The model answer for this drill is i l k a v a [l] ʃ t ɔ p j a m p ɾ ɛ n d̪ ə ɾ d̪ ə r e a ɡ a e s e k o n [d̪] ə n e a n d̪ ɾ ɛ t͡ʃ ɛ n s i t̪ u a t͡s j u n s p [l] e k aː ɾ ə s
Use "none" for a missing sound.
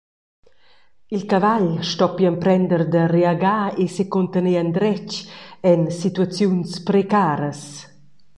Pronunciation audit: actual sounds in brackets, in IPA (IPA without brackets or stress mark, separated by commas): ʎ, t̪, ɾ